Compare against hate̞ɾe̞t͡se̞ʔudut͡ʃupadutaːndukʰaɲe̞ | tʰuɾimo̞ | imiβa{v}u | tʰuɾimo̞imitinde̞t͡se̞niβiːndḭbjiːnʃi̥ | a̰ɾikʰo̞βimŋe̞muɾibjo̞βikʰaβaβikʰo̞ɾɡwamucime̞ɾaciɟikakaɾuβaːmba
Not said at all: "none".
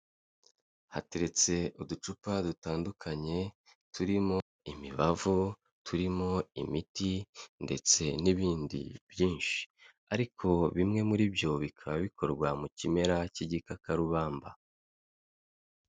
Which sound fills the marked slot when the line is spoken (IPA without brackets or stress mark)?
v